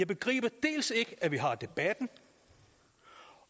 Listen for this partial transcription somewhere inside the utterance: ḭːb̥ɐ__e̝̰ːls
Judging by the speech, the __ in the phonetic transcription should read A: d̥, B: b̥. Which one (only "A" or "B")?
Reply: A